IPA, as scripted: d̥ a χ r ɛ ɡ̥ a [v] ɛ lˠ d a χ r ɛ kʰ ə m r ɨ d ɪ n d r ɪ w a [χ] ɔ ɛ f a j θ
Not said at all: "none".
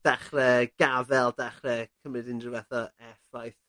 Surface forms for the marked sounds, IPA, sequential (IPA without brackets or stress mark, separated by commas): v, θ